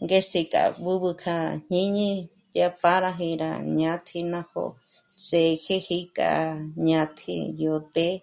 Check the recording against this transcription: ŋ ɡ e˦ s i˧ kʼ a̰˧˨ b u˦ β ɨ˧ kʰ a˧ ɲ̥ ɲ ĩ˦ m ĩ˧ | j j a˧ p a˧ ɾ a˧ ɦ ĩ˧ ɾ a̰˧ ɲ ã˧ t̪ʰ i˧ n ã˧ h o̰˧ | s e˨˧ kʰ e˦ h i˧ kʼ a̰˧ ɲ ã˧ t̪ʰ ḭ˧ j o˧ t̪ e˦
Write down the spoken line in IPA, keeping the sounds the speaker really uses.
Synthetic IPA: ŋ ɡ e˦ s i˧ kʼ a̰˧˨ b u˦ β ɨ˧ kʰ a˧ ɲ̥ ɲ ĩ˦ ɲ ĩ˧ | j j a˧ p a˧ ɾ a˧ ɦ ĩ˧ ɾ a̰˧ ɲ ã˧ t̪ʰ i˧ n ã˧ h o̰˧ | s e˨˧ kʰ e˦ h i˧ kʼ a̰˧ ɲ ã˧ t̪ʰ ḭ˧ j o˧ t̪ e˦